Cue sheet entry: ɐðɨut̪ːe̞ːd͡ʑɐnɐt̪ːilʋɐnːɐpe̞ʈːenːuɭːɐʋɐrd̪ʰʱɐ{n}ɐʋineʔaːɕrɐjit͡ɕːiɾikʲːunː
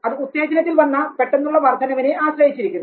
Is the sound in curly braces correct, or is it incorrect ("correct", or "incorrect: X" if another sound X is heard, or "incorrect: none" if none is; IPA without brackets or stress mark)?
correct